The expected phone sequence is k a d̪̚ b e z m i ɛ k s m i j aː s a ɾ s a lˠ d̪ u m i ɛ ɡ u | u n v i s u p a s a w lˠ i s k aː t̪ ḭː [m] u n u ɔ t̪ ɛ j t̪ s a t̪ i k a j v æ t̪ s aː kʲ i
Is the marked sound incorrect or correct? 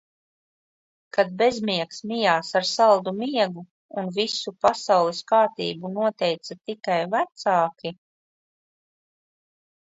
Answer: incorrect